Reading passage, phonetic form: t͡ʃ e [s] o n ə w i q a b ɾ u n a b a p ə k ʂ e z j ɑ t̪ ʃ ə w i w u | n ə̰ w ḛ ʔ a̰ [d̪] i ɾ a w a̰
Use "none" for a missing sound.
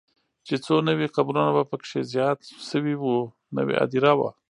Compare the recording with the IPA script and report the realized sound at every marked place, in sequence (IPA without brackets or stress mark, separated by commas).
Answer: t͡s, d̪